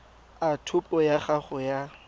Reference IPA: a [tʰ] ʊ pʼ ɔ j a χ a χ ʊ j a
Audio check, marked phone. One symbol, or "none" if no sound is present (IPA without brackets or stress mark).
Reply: tʰ